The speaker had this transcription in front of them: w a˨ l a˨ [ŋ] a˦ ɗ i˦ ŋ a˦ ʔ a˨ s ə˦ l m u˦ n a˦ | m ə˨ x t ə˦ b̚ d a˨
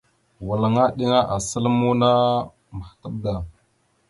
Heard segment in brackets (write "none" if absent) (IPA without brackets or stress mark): ŋ